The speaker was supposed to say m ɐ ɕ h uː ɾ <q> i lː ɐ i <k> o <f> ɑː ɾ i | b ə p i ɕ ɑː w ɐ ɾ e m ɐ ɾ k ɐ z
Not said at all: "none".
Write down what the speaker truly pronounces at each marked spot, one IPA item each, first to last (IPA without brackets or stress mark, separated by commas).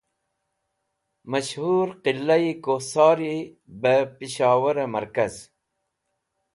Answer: q, k, s